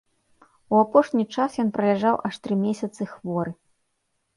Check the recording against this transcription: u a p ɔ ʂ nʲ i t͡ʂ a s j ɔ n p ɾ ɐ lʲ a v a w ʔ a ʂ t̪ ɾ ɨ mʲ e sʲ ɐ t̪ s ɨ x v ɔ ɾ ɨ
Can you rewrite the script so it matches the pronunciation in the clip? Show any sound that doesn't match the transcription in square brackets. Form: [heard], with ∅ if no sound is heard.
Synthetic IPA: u a p ɔ ʂ nʲ i t͡ʂ a s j ɔ n p ɾ ɐ lʲ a [ʐ] a w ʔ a ʂ t̪ ɾ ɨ mʲ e sʲ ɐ t̪ s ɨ x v ɔ ɾ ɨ